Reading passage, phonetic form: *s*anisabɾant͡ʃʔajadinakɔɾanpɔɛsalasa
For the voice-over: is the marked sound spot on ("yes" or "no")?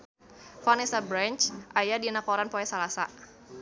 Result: no